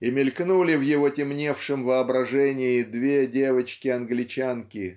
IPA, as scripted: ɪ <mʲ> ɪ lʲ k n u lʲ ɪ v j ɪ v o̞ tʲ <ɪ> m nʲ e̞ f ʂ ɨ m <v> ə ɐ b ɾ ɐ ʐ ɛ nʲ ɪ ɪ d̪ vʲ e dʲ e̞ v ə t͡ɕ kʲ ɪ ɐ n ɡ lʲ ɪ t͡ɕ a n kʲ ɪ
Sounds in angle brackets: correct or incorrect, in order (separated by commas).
correct, correct, correct